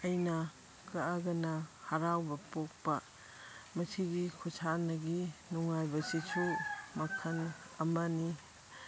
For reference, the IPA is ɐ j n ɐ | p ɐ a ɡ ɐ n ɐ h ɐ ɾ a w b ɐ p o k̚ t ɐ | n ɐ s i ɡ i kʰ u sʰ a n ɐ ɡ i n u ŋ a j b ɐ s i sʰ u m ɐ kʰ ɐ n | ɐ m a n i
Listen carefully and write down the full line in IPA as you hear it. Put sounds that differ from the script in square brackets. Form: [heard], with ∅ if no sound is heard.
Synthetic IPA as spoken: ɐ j n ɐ | [k] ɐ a ɡ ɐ n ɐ h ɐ ɾ a w b ɐ p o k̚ [p] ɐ | [m] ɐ s i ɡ i kʰ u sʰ a n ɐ ɡ i n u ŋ a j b ɐ s i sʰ u m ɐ kʰ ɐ n | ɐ m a n i

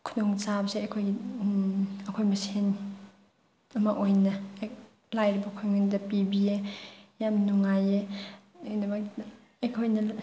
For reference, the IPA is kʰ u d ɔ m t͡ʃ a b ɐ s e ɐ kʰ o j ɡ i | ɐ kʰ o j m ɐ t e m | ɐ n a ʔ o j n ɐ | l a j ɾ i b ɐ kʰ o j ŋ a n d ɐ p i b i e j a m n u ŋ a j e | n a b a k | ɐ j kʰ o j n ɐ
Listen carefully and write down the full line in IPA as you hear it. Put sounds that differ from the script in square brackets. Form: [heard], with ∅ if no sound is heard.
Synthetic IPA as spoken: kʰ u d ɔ [ŋ] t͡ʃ a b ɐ s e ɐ kʰ o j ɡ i | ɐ kʰ o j m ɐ [s] e [n] | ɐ [m] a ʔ o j n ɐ | l a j ɾ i b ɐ kʰ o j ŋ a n d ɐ p i b i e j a m n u ŋ a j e | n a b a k | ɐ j kʰ o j n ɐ

